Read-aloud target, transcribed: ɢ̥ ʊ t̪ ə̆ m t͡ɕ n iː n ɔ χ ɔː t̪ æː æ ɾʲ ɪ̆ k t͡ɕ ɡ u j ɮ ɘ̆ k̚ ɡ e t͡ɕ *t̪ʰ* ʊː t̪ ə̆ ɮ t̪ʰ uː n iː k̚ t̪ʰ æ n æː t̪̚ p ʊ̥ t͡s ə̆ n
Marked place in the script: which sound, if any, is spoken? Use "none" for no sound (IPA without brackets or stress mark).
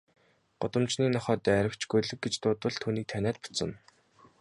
t̪